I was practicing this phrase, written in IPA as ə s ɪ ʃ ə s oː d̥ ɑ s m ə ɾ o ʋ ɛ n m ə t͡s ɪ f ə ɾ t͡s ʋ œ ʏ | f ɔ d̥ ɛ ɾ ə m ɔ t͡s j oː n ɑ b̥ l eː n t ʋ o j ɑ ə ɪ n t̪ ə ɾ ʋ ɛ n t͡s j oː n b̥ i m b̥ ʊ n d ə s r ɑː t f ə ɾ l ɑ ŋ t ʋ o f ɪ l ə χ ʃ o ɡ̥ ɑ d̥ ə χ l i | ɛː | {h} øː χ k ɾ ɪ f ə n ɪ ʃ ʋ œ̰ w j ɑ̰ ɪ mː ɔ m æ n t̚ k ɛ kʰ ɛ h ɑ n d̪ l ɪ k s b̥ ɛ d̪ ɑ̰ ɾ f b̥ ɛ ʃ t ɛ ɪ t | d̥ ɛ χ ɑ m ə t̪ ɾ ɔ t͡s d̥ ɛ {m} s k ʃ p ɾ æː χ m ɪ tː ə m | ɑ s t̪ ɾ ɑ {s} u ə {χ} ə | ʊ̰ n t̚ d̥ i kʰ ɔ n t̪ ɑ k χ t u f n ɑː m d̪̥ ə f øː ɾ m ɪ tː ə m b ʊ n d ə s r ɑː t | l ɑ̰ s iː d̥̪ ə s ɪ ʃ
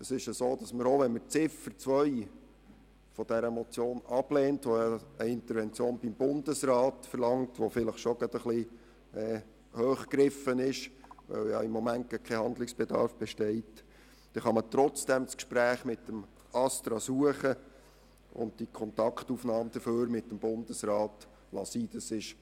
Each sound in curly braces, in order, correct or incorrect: correct, correct, correct, correct

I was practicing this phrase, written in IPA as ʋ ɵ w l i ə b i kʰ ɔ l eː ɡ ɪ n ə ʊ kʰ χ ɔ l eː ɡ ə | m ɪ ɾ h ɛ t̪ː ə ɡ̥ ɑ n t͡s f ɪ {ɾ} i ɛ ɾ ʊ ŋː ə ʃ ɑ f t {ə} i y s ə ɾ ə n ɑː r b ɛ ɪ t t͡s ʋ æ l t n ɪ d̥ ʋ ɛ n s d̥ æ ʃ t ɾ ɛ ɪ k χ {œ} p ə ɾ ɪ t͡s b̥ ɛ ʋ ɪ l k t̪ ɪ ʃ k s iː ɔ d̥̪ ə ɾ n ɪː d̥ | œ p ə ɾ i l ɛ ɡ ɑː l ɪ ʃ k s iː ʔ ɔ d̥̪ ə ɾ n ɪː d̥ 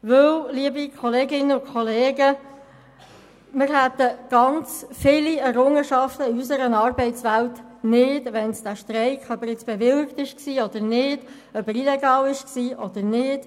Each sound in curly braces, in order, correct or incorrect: incorrect: l, correct, correct

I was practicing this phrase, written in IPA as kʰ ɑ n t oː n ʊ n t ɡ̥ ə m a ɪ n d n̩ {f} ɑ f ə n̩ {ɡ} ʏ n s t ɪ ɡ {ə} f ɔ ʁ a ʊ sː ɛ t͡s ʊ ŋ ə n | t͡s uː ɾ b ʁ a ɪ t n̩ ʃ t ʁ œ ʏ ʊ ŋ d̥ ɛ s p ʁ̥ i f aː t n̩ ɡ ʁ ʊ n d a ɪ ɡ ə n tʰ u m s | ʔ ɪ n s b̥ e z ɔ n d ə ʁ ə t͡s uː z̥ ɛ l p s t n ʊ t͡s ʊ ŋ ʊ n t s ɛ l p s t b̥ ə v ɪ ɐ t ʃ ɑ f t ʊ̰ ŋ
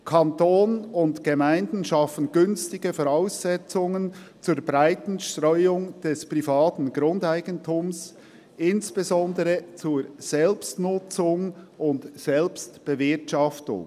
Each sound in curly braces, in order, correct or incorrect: incorrect: ʃ, correct, correct

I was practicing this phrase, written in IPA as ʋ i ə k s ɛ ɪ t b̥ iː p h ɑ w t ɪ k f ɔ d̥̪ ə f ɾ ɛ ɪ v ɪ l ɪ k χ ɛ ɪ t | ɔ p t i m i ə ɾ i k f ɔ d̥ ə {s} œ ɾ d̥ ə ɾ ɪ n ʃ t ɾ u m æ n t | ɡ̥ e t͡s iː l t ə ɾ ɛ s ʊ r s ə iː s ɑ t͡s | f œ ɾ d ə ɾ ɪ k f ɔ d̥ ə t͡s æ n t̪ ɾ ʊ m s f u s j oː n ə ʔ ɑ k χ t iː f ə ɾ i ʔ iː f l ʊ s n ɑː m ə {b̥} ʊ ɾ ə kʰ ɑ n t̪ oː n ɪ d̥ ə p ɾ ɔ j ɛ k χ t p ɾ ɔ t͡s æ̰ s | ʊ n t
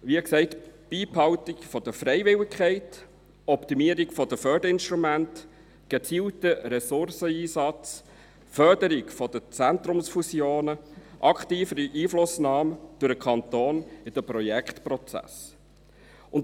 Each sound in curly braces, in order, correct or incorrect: incorrect: f, incorrect: d̥

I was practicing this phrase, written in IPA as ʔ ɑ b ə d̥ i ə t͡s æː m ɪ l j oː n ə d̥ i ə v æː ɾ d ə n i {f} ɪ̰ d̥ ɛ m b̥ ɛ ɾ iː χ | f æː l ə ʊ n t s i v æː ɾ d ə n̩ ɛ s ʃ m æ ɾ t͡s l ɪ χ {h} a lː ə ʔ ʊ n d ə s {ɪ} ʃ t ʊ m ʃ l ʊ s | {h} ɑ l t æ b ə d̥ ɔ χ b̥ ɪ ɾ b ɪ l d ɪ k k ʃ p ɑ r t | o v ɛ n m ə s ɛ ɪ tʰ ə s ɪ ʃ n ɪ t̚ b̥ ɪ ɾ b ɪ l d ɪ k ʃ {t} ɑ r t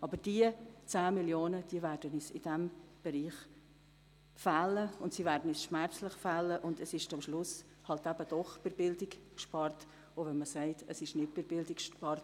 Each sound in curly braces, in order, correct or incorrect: incorrect: s, incorrect: f, correct, correct, incorrect: p

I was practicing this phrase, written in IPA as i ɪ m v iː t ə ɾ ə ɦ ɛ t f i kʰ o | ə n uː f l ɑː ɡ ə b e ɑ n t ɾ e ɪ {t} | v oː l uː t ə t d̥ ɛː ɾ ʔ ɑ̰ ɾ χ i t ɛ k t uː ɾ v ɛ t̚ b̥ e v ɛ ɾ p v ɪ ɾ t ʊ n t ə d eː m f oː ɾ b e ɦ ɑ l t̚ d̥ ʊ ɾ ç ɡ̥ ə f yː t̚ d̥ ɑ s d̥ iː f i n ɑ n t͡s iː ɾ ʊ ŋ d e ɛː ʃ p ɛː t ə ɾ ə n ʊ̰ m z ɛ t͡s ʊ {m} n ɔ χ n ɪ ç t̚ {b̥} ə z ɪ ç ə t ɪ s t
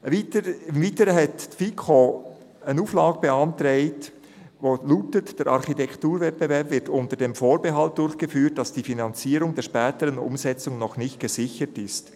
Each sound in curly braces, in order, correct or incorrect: correct, incorrect: ŋ, incorrect: ɡ̥

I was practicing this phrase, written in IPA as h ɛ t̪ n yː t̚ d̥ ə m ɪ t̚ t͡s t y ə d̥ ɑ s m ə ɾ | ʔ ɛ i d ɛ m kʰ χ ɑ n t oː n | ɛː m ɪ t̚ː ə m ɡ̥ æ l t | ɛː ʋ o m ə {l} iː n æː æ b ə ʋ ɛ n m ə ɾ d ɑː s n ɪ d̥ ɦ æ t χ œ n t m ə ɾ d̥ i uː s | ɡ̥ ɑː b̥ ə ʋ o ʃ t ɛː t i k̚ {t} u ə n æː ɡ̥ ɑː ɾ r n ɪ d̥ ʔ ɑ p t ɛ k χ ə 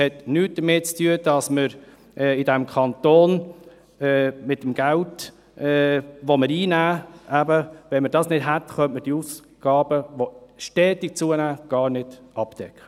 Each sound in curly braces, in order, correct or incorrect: incorrect: ɾ, incorrect: t͡s

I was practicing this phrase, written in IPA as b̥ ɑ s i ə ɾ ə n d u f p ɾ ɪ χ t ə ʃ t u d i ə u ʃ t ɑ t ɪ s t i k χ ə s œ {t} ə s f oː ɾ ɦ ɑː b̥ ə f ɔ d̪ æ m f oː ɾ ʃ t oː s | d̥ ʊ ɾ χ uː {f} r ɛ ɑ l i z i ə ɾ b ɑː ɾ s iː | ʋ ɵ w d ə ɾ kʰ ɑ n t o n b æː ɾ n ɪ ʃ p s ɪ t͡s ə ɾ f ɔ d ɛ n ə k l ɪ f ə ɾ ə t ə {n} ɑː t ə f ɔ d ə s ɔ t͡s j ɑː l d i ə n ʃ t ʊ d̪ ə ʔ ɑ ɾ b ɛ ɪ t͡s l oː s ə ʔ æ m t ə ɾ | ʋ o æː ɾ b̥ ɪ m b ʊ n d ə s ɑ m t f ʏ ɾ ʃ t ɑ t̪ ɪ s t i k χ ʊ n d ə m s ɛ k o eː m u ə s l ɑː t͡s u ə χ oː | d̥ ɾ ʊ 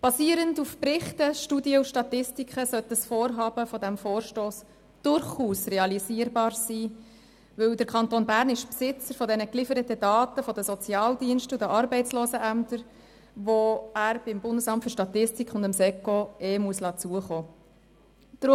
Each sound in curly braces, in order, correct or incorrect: correct, incorrect: s, incorrect: d

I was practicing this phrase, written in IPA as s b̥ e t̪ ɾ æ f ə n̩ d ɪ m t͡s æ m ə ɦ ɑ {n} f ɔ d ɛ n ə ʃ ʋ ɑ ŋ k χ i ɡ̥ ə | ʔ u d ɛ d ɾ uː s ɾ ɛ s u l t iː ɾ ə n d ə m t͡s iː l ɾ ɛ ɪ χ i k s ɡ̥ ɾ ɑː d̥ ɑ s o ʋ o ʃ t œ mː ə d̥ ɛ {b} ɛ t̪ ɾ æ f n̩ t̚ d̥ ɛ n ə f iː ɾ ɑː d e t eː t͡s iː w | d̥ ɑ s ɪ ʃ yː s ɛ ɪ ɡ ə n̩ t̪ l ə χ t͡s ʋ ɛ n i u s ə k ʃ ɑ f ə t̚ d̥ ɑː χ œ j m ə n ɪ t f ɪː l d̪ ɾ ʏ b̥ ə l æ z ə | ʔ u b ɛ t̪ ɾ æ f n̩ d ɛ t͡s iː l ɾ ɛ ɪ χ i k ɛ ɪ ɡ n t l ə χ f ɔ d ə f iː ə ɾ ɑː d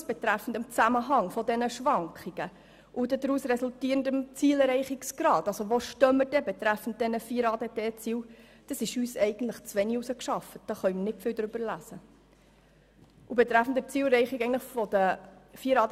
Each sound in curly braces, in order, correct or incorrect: incorrect: ŋ, correct

